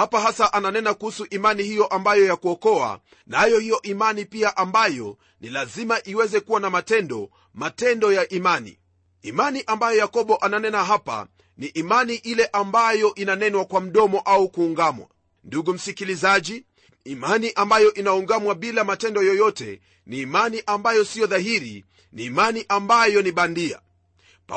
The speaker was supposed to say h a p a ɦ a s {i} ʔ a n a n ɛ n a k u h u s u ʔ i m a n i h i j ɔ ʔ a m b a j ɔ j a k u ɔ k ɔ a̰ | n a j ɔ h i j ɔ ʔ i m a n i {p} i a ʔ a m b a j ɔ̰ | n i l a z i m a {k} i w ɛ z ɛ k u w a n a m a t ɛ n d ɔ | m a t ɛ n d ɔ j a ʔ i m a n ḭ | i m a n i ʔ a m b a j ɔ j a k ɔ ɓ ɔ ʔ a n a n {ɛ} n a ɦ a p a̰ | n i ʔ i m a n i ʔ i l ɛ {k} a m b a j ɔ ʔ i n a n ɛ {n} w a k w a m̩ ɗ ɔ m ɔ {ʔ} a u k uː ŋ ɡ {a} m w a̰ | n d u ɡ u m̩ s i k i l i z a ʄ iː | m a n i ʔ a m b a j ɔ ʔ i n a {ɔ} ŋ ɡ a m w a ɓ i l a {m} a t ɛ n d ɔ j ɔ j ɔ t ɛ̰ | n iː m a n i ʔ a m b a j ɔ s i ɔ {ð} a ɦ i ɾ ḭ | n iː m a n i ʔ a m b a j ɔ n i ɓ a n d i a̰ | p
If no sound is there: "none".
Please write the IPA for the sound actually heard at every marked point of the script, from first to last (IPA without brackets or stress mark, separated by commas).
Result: a, p, ʔ, ɛ, ʔ, n, ʔ, a, u, m, ð